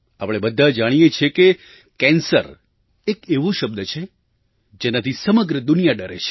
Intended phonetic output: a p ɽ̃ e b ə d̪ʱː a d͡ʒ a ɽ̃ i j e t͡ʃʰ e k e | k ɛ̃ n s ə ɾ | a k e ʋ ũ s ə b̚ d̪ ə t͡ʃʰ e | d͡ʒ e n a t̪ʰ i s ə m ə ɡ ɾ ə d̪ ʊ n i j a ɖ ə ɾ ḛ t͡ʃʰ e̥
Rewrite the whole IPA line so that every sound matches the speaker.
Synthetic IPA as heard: a p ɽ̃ e b ə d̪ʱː a d͡ʒ a ɽ̃ i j e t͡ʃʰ e k e | k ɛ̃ n s ə ɾ | e k e ʋ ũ ʃ ə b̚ d̪ ə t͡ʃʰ e | d͡ʒ e n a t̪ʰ i s ə m ə ɡ ɾ ə d̪ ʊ n i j a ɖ ə ɾ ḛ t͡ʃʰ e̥